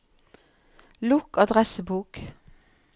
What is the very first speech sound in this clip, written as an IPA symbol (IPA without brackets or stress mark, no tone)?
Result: l